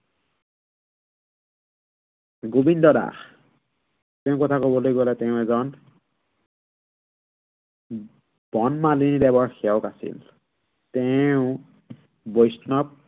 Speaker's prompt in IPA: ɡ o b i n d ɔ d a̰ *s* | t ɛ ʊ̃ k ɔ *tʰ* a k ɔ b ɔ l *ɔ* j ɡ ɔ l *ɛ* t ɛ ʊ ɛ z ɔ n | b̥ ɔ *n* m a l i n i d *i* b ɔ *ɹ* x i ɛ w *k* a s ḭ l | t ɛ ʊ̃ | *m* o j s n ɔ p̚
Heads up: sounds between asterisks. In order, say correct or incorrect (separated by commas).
incorrect, correct, incorrect, correct, correct, incorrect, correct, correct, incorrect